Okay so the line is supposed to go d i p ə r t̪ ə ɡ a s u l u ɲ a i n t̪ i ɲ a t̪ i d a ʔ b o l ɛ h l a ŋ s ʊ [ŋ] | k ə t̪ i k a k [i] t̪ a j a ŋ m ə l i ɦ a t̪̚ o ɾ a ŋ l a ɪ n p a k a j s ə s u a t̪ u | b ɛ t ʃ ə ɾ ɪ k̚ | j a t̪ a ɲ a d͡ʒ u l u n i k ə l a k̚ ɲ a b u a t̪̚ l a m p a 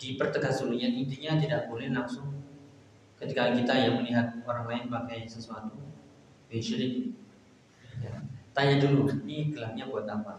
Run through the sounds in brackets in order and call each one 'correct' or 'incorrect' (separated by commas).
correct, correct